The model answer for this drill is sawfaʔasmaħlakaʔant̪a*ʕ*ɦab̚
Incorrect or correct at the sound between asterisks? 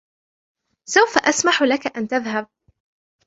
incorrect: ð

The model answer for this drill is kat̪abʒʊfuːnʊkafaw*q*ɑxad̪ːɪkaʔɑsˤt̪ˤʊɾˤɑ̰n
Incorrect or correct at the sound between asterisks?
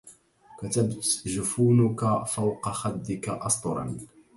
correct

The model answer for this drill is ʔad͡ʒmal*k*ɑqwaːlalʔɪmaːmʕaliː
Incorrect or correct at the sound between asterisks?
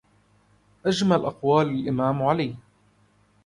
incorrect: ʔ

